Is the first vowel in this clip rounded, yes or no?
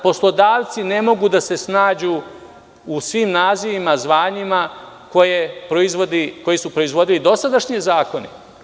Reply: yes